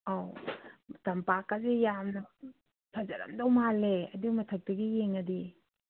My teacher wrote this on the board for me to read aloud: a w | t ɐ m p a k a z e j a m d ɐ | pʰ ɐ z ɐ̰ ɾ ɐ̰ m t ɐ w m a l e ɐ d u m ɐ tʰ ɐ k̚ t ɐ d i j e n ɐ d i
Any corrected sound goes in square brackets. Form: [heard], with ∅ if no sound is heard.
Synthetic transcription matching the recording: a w | t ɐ m p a k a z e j a m [n] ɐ | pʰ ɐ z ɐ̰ ɾ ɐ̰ m [d] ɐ w m a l e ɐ d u m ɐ tʰ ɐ k̚ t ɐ [ɡ] i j e [ŋ] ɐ d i